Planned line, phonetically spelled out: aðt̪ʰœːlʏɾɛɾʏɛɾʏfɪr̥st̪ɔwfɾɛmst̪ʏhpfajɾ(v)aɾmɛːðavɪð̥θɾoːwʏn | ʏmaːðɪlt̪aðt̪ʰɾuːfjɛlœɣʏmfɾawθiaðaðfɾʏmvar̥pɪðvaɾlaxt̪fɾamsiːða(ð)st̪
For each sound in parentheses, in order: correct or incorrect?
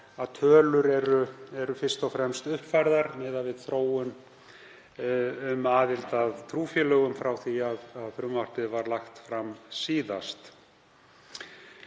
incorrect: ð, incorrect: none

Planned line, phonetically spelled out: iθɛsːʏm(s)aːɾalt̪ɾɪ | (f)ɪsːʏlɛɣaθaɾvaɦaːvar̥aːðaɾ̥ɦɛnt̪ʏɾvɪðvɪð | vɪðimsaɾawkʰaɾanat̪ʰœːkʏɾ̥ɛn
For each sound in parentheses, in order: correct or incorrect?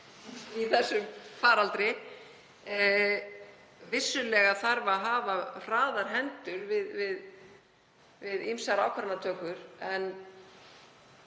incorrect: f, incorrect: v

